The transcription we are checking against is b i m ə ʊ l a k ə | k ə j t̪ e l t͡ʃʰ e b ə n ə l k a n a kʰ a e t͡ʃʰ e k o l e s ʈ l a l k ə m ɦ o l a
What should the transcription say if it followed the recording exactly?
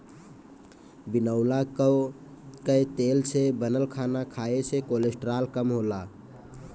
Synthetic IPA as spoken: b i n ə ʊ l a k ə | k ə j t̪ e l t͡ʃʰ e b ə n ə l kʰ a n a kʰ a e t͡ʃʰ e k o l e s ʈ ɾ a l k ə m ɦ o l a